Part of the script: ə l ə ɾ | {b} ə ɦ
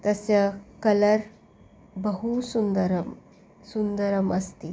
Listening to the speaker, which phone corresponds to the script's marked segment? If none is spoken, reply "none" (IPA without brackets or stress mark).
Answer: b